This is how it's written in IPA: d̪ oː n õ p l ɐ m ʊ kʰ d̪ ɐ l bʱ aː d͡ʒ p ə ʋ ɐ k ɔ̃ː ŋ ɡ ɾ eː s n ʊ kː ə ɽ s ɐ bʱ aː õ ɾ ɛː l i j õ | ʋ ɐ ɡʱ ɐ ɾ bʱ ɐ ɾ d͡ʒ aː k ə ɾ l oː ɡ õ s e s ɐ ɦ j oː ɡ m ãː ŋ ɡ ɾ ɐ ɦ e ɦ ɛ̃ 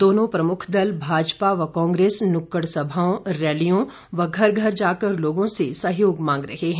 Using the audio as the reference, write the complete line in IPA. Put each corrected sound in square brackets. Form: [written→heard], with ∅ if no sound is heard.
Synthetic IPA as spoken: d̪ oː n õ p [l→ɾ] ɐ m ʊ kʰ d̪ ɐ l bʱ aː d͡ʒ p [ə→a] ʋ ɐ k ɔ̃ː ŋ ɡ ɾ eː s n ʊ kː ə ɽ s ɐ bʱ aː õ ɾ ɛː l i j õ | ʋ ɐ ɡʱ ɐ ɾ [bʱ→ɡʱ] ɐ ɾ d͡ʒ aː k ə ɾ l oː ɡ õ s e s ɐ ɦ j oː ɡ m ãː ŋ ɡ ɾ ɐ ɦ e ɦ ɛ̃